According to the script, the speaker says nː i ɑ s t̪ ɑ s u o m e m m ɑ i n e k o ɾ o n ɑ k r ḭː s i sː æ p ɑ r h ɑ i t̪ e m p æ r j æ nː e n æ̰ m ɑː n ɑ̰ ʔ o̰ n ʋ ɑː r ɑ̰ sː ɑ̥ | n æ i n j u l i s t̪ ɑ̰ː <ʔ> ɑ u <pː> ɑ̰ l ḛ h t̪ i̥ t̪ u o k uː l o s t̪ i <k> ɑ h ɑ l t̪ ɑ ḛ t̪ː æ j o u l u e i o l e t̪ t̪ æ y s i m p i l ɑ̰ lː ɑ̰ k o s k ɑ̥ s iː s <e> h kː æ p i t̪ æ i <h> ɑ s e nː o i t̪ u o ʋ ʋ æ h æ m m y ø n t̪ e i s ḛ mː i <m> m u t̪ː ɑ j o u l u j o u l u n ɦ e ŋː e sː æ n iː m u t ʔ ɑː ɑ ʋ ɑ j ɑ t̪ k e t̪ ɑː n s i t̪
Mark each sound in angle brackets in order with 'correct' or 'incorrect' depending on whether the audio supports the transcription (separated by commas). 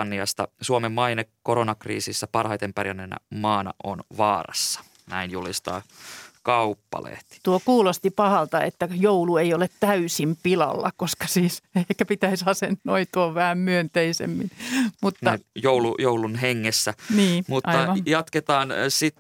incorrect, correct, incorrect, correct, incorrect, incorrect